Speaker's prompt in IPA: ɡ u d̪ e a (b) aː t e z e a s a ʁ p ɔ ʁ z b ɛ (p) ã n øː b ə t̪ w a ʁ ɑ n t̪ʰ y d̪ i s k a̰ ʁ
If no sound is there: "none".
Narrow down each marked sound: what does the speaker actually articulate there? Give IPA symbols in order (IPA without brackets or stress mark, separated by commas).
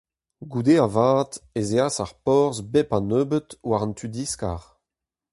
v, p